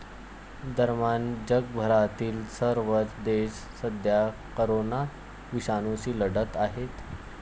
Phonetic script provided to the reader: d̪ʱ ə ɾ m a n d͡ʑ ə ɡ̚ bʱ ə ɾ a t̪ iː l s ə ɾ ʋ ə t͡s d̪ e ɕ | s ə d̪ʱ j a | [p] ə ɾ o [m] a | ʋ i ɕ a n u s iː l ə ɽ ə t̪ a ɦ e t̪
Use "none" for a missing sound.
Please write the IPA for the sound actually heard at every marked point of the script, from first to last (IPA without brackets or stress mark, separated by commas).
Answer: k, n